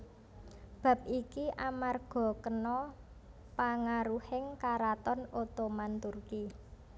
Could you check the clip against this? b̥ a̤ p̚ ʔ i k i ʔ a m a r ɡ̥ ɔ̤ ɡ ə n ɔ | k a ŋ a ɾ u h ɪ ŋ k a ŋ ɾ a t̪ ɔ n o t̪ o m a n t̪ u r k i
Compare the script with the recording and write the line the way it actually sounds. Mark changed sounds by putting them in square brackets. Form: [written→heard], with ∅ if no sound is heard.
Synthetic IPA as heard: b̥ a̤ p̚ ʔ i k i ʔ a m a r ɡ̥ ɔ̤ [ɡ→k] ə n ɔ | [k→p] a ŋ a ɾ u h ɪ ŋ k a [ŋ→∅] ɾ a t̪ ɔ n o t̪ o m a n t̪ u r k i